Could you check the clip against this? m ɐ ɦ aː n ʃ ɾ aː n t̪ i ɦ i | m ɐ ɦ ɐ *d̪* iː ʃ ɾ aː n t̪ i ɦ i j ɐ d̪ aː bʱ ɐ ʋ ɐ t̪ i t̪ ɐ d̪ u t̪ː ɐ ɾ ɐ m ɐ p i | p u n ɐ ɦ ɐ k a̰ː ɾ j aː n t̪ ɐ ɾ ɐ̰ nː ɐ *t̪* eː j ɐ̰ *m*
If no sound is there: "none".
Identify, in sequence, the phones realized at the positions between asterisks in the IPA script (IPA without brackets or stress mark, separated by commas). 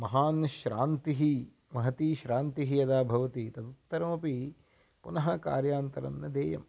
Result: t̪, d̪, m